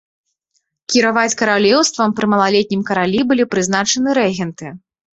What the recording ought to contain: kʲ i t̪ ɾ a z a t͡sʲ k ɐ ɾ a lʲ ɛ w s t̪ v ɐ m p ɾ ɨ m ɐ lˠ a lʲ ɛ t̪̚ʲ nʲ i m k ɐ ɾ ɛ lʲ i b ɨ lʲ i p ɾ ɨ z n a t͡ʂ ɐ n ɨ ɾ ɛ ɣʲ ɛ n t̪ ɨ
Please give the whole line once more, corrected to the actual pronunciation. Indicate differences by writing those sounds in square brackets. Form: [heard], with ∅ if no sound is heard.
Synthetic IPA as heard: kʲ i [∅] ɾ a [v] a t͡sʲ k ɐ ɾ a lʲ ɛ w s t̪ v ɐ m p ɾ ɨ m ɐ lˠ a lʲ ɛ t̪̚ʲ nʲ i m k ɐ ɾ [a] lʲ i b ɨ lʲ i p ɾ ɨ z n a t͡ʂ ɐ n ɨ ɾ ɛ ɣʲ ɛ n t̪ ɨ